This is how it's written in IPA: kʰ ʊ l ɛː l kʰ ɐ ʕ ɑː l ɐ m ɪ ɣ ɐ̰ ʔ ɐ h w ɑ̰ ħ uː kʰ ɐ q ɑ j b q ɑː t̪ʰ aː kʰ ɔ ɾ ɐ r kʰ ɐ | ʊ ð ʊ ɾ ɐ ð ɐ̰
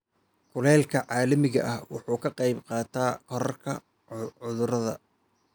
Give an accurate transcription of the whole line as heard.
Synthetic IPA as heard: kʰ ʊ l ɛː l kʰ ɐ ʕ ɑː l ɐ m ɪ ɣ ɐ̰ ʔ ɐ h w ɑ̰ ħ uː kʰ ɐ q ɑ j b q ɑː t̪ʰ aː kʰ ɔ ɾ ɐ r kʰ ɐ | ʊ ð ʊ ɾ ɐ ð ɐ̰